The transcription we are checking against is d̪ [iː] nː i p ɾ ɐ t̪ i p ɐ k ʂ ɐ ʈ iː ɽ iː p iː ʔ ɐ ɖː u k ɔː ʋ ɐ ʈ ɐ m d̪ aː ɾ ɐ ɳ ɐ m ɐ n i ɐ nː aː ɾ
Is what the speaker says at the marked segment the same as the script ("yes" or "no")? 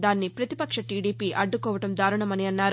no